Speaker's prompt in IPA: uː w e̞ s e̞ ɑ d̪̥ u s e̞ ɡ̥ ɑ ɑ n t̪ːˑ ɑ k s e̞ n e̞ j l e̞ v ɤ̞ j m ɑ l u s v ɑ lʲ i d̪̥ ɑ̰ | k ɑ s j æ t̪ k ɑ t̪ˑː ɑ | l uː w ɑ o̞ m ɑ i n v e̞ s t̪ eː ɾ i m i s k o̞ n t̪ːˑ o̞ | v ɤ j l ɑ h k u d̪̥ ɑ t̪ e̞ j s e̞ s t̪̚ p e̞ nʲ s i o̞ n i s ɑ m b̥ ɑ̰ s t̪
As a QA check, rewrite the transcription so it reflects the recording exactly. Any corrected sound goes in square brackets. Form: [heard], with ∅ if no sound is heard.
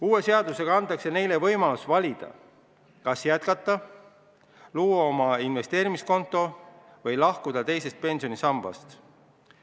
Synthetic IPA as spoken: uː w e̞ s e̞ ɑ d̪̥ u s e̞ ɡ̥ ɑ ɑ n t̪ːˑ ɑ k s e̞ n e̞ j l e̞ v ɤ̞ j m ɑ l u s v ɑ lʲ i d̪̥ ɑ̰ | k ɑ s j æ t̪ k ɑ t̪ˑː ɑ | l uː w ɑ o̞ m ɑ i n v e̞ s t̪ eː ɾ i m i s k o̞ n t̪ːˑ o̞ | v ɤ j l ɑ h k u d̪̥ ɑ t̪ e̞ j s e̞ s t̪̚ p e̞ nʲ s i o̞ n i s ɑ m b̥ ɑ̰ s t̪

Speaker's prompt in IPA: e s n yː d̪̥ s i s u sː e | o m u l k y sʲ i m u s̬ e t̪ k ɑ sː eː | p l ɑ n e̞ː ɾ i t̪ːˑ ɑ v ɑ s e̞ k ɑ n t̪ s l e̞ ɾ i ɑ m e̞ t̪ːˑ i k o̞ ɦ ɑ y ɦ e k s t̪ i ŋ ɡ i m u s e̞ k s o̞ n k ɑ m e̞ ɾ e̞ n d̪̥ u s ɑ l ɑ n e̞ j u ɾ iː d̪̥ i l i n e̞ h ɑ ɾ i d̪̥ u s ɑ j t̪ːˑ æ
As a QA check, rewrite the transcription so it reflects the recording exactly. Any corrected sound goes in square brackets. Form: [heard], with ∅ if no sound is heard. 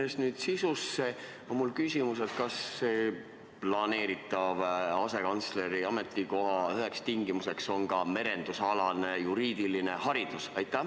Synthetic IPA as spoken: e s n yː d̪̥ s i s u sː e | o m u l k y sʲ i m u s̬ e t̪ k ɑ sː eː | p l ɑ n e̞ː ɾ i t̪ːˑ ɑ v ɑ s e̞ k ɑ n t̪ s l e̞ ɾ i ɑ m e̞ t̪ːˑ i k o̞ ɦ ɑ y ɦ e k s t̪ i ŋ ɡ i m u s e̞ k s o̞ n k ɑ m e̞ ɾ e̞ n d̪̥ u s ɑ l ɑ n e̞ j u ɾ iː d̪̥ i l i n e̞ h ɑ ɾ i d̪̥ u s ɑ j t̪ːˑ æ

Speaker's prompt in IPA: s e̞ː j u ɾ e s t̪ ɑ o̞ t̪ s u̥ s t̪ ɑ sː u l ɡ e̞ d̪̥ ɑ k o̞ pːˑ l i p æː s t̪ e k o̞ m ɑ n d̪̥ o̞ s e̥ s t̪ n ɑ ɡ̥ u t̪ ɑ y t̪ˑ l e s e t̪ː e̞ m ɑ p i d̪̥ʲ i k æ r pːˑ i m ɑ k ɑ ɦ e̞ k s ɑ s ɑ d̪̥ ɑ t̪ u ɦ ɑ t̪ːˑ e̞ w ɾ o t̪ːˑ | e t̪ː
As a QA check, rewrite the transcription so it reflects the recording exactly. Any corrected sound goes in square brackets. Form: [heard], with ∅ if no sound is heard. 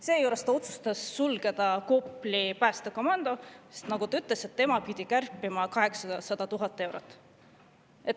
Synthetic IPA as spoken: s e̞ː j u ɾ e s t̪ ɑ o̞ t̪ s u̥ s t̪ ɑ sː u l ɡ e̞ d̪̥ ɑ k o̞ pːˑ l i p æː s t̪ e k o̞ m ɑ n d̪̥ o̞ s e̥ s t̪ n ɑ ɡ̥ u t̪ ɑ y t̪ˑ l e s e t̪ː e̞ m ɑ p i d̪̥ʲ i k æ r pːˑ i m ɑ k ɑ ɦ e̞ k s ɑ s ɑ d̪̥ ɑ t̪ u ɦ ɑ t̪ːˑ e̞ w ɾ o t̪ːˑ | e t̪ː

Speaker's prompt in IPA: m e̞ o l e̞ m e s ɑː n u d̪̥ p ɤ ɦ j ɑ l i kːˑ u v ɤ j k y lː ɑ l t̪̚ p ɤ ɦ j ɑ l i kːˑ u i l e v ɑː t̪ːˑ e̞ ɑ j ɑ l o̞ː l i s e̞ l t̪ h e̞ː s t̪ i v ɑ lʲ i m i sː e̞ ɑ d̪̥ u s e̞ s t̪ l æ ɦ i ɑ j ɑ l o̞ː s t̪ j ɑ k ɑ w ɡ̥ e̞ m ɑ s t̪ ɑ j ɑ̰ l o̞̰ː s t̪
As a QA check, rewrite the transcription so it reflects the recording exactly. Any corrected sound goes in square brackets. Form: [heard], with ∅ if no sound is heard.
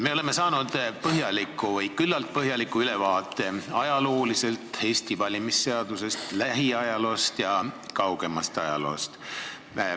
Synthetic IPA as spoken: m e̞ o l e̞ m e s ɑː n u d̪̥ p ɤ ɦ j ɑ l i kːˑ u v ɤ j k y lː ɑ l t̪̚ p ɤ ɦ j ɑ l i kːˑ u [y] l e v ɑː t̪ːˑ e̞ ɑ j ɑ l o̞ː l i s e̞ l t̪ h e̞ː s t̪ i v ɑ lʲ i m i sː e̞ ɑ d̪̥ u s e̞ s t̪ l æ ɦ i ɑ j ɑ l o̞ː s t̪ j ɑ k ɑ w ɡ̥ e̞ m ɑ s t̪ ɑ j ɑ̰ l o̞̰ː s t̪

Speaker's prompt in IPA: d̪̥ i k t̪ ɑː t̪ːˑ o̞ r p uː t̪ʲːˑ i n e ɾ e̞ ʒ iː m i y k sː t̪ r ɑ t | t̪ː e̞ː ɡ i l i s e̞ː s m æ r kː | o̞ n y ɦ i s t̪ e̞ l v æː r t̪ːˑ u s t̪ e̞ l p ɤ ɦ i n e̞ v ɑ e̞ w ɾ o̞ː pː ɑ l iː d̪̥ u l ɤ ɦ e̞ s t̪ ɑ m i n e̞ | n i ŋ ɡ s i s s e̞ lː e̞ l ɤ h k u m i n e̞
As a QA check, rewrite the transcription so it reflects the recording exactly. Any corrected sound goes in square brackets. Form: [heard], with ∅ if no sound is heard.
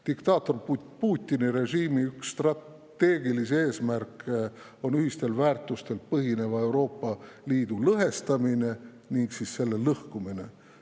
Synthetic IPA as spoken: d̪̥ i k t̪ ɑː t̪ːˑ o̞ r p uː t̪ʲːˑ i n [i] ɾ e̞ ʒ iː m i y k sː t̪ r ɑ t | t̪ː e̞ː ɡ i l i s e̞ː s m æ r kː | o̞ n y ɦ i s t̪ e̞ l v æː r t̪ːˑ u s t̪ e̞ l p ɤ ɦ i n e̞ v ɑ e̞ w ɾ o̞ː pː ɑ l iː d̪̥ u l ɤ ɦ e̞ s t̪ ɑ m i n e̞ | n i ŋ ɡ s i s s e̞ lː e̞ l ɤ h k u m i n e̞

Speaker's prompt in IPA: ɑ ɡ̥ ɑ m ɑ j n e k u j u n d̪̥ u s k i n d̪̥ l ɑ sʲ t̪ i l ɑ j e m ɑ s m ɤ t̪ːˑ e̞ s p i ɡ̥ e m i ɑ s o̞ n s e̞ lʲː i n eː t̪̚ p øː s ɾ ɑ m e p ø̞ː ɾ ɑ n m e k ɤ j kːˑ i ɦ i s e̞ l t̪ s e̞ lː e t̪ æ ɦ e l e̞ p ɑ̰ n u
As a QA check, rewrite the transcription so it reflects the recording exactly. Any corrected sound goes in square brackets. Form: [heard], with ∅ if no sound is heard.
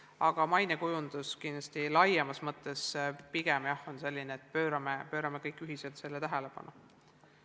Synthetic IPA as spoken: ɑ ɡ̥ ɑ m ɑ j n e k u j u n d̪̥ u s k i n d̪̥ l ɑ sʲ t̪ i l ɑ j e m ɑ s m ɤ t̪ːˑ e̞ s p i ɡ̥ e m [j] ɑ [h] o̞ n s e̞ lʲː i n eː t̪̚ p øː [∅] ɾ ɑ m e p ø̞ː ɾ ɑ [∅] m e k ɤ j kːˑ [y] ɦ i s e̞ l t̪ s e̞ lː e t̪ æ ɦ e l e̞ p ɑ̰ n u

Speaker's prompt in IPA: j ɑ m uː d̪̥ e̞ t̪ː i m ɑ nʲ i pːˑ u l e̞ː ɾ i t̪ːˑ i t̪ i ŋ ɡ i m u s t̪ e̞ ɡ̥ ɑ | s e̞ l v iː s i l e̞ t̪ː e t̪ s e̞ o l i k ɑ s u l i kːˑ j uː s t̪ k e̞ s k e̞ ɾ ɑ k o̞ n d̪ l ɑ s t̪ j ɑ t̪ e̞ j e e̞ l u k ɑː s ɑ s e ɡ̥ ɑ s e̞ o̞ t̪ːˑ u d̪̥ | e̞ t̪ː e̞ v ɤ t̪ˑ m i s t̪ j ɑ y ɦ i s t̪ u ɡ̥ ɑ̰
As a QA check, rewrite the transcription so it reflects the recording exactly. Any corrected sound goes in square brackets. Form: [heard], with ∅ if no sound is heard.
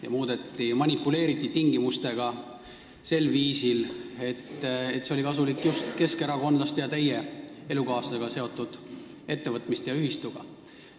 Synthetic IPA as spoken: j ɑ m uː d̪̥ e̞ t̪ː i m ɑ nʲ i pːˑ u l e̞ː ɾ i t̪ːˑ i t̪ i ŋ ɡ i m u s t̪ e̞ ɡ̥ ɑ | s e̞ l v iː s i l e̞ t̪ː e t̪ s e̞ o l i k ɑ s u l i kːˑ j [u] s t̪ k e̞ s k e̞ ɾ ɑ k o̞ n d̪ l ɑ s t̪ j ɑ t̪ e̞ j e e̞ l u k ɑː s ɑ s e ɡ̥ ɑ s e̞ o̞ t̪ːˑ u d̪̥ | e̞ t̪ː e̞ v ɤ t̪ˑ m i s t̪ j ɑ y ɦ i s t̪ u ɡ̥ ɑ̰

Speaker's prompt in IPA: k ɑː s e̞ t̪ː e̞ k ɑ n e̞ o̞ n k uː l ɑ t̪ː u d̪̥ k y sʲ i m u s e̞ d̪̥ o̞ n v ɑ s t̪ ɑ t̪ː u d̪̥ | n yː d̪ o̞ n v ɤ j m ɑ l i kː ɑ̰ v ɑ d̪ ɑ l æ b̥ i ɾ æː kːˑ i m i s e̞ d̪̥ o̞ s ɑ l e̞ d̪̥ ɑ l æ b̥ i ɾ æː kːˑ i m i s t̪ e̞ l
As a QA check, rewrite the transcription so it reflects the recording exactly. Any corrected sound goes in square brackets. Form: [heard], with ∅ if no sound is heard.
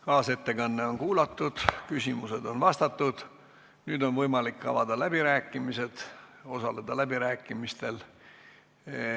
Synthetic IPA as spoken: k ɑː s e̞ t̪ː e̞ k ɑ [nː] e̞ o̞ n k uː l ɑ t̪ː u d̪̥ k y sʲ i m u s e̞ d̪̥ o̞ n v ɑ s t̪ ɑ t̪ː u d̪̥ | n yː d̪ o̞ n v ɤ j m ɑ l i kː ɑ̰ v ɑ d̪ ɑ l æ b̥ i ɾ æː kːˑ i m i s e̞ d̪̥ o̞ s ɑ l e̞ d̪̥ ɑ l æ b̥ i ɾ æː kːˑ i m i s t̪ e̞ l

